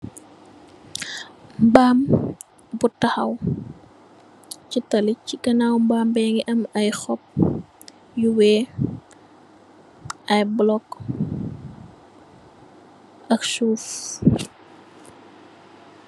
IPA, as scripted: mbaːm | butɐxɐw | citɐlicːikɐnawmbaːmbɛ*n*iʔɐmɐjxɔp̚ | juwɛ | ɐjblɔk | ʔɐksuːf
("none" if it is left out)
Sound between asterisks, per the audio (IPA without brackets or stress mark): ŋ